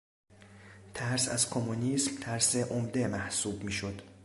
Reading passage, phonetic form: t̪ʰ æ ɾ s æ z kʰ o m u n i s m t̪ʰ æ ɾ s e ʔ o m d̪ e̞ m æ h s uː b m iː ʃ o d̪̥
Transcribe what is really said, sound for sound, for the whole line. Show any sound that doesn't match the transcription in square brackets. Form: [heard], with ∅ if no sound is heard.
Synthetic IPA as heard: t̪ʰ æ ɾ s æ z kʰ o m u n i s m t̪ʰ æ ɾ s e ʔ o m d̪ e̞ m æ h s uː b m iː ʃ o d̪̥